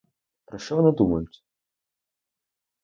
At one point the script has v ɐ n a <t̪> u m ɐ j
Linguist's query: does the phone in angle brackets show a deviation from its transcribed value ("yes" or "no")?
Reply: yes